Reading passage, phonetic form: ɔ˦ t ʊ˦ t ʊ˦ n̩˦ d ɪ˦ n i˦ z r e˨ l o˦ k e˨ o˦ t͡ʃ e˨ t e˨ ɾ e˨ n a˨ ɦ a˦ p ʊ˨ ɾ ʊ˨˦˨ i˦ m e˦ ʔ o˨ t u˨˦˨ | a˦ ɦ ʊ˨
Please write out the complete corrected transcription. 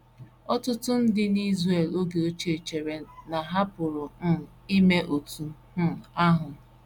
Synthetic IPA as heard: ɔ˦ t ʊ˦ t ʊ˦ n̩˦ d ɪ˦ n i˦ z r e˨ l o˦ ɡ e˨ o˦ t͡ʃ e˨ t͡ʃ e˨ ɾ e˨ n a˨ ɦ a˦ p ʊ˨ ɾ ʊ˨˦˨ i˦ m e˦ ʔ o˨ t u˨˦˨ | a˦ ɦ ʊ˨